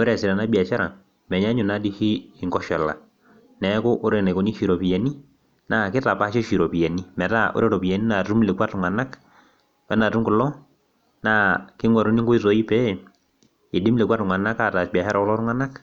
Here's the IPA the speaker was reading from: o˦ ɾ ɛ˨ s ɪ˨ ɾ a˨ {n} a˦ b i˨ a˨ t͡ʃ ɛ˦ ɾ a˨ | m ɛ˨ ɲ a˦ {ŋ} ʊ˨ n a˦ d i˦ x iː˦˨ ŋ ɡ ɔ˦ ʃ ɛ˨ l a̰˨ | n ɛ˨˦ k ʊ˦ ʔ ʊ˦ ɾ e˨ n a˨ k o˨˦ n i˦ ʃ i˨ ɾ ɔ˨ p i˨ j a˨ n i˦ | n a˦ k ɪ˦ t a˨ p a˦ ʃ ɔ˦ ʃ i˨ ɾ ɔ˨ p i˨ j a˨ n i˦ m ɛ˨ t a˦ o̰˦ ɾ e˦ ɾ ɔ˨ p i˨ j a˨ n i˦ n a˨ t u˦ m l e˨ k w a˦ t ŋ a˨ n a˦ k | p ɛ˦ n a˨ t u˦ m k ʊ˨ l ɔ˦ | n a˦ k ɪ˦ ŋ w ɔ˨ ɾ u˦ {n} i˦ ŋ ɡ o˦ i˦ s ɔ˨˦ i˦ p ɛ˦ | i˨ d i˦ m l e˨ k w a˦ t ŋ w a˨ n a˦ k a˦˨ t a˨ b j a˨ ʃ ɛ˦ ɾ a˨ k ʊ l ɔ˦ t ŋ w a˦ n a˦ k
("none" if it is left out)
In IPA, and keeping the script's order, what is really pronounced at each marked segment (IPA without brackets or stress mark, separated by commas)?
n, ɲ, n